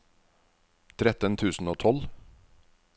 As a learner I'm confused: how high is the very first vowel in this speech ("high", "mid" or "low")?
mid